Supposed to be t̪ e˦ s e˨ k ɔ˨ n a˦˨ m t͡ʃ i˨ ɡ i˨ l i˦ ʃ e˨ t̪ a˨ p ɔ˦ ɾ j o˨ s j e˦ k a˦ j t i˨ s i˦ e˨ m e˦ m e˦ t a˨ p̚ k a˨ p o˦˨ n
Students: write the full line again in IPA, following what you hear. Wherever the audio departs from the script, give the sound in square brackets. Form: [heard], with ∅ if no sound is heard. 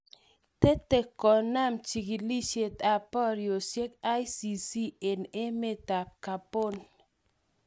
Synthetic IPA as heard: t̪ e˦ [t] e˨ k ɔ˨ n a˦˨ m t͡ʃ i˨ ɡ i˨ l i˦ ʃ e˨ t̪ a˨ p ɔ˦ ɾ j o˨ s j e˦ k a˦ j [s] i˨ s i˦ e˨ [n] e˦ m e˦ t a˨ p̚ k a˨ p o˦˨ n